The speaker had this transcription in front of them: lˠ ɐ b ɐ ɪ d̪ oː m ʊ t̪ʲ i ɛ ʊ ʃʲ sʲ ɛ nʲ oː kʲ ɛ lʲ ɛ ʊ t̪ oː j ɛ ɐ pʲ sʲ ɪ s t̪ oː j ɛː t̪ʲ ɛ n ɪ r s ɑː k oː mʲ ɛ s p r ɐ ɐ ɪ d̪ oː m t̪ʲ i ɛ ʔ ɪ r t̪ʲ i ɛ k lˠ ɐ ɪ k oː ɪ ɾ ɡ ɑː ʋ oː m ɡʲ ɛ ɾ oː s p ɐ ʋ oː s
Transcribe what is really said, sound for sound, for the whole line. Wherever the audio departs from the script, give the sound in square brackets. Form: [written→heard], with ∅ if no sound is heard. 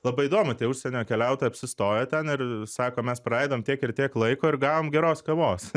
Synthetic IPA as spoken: lˠ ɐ b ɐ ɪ d̪ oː m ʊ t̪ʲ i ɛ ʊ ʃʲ sʲ ɛ nʲ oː kʲ ɛ lʲ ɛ ʊ t̪ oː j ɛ ɐ pʲ sʲ ɪ s t̪ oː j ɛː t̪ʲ ɛ n ɪ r s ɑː k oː mʲ ɛ s p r ɐ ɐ ɪ d̪ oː m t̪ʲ i ɛ [ʔ→k] ɪ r t̪ʲ i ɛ k lˠ ɐ ɪ k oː ɪ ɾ ɡ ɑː ʋ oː m ɡʲ ɛ ɾ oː s [p→k] ɐ ʋ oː s

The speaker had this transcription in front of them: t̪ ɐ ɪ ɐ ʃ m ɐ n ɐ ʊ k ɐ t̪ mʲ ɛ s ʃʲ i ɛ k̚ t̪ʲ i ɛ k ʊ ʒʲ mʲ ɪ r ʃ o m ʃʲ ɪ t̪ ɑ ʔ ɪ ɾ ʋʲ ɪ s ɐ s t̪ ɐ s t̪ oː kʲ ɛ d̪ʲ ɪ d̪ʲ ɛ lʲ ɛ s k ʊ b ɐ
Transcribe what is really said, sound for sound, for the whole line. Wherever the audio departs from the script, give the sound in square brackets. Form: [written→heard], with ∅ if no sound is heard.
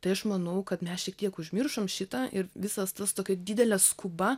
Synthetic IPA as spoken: t̪ ɐ ɪ ɐ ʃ m ɐ n ɐ ʊ k ɐ t̪ mʲ ɛ s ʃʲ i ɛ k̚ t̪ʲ i ɛ k ʊ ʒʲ mʲ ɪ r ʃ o m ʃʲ ɪ t̪ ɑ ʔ ɪ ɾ ʋʲ ɪ s ɐ s t̪ ɐ s t̪ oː kʲ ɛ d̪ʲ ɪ d̪ʲ ɛ lʲ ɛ s k ʊ b ɐ

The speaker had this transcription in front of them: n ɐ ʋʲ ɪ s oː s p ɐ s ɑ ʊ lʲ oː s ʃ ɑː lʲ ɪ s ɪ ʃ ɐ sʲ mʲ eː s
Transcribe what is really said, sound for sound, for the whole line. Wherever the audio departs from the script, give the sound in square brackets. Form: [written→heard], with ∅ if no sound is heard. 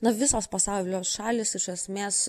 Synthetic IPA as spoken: n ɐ ʋʲ ɪ s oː s p ɐ s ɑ ʊ lʲ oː s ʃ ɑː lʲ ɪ s ɪ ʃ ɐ sʲ mʲ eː s

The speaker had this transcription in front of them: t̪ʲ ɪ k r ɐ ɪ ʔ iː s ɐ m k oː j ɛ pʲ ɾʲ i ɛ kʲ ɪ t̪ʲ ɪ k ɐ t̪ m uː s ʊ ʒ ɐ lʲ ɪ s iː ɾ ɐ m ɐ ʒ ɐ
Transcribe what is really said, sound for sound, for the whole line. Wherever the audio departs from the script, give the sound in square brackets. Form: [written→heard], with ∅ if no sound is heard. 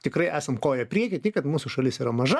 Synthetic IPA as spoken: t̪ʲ ɪ k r ɐ ɪ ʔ [iː→æː] s ɐ m k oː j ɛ pʲ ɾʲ i ɛ kʲ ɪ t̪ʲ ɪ k ɐ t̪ m uː s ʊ [ʒ→ʃ] ɐ lʲ ɪ s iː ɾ ɐ m ɐ ʒ ɐ

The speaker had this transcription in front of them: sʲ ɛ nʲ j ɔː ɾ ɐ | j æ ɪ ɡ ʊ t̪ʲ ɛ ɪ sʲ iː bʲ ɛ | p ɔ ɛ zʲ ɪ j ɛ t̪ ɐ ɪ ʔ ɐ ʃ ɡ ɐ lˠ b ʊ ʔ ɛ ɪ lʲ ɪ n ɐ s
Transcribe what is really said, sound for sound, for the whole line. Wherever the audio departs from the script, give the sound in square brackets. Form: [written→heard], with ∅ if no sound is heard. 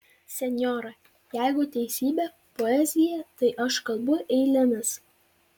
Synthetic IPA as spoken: sʲ ɛ nʲ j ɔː ɾ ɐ | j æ ɪ ɡ ʊ t̪ʲ ɛ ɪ sʲ iː bʲ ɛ | p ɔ ɛ zʲ ɪ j ɛ t̪ ɐ ɪ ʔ ɐ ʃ [ɡ→k] ɐ lˠ b ʊ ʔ ɛ ɪ lʲ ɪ n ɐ s

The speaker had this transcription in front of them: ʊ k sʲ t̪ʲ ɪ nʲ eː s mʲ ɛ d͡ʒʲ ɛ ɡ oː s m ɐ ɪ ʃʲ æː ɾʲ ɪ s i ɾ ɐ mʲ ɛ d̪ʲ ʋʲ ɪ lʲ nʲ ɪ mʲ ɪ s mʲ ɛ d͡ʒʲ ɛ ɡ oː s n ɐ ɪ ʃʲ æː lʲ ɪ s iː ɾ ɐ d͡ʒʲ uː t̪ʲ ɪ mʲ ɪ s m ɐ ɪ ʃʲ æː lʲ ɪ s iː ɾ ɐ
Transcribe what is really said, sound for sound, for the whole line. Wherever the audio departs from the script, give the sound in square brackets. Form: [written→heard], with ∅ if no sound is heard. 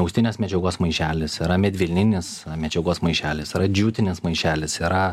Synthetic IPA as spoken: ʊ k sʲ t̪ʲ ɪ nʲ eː s mʲ ɛ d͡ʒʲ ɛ ɡ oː s m ɐ ɪ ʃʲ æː [ɾʲ→lʲ] ɪ s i ɾ ɐ mʲ ɛ d̪ʲ ʋʲ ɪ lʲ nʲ ɪ [mʲ→nʲ] ɪ s mʲ ɛ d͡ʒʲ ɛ ɡ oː s [n→m] ɐ ɪ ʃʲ æː lʲ ɪ s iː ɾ ɐ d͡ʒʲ uː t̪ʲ ɪ [mʲ→nʲ] ɪ s m ɐ ɪ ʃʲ æː lʲ ɪ s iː ɾ ɐ

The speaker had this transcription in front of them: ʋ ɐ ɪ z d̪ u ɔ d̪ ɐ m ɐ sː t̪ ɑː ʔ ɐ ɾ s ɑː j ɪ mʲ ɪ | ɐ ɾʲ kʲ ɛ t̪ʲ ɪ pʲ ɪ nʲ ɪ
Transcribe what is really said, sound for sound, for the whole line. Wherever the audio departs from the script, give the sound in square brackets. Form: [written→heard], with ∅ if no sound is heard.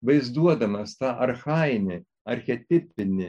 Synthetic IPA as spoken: ʋ ɐ ɪ z d̪ u ɔ d̪ ɐ m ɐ [sː→s] t̪ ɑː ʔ ɐ ɾ [s→x] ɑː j ɪ [mʲ→nʲ] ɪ | ɐ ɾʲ [kʲ→xʲ] ɛ t̪ʲ ɪ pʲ ɪ nʲ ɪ

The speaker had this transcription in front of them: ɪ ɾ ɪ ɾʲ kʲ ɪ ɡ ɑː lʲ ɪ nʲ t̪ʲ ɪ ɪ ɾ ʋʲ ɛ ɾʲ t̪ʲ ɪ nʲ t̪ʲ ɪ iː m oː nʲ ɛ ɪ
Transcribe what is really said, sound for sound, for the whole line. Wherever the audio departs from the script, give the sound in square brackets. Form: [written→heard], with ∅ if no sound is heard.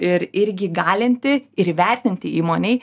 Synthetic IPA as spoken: ɪ ɾ ɪ ɾʲ [kʲ→ɡʲ] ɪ ɡ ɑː lʲ ɪ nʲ t̪ʲ ɪ ɪ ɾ ʋʲ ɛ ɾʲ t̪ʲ ɪ nʲ t̪ʲ ɪ iː m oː nʲ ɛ ɪ

